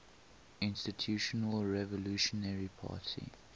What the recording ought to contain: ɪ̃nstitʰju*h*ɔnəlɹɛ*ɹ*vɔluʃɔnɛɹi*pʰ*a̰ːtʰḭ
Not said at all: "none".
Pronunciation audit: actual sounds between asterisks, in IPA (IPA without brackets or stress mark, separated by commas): ʃ, none, pʰ